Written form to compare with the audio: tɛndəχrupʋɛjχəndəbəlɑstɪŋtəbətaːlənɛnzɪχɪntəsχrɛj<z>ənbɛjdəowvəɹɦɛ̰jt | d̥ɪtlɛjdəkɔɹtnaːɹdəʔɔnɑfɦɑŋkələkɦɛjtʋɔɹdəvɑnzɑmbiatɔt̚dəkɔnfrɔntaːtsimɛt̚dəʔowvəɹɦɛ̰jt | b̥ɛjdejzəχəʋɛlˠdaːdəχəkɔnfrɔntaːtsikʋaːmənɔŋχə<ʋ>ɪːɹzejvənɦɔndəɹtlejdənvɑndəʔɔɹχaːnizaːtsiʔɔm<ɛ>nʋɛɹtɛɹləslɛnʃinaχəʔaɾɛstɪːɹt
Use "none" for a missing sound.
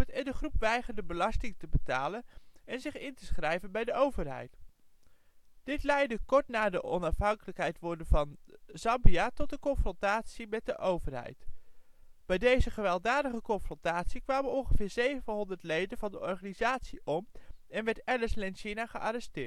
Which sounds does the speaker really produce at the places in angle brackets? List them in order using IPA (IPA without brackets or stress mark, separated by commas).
v, v, ɛ